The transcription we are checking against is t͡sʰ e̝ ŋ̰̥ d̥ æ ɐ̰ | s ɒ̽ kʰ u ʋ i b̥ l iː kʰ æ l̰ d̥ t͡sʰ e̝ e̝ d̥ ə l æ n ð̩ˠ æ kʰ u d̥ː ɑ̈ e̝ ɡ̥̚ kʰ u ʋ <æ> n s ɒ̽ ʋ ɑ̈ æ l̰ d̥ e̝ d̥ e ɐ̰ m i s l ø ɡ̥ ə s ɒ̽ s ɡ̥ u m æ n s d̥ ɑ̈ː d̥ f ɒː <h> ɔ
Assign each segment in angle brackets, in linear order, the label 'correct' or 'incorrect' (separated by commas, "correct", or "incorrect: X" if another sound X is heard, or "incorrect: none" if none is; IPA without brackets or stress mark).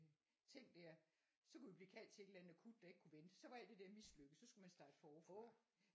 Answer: incorrect: e, incorrect: f